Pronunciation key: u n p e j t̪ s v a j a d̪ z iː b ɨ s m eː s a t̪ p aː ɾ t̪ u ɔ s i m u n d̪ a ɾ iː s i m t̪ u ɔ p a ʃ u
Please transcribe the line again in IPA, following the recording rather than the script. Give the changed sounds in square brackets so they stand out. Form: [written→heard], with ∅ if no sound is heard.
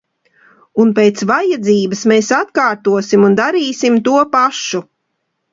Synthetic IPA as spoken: u n p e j t̪ s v a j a d̪ z iː b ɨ s m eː s a t̪ [p→k] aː ɾ t̪ u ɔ s i m u n d̪ a ɾ iː s i m t̪ u ɔ p a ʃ u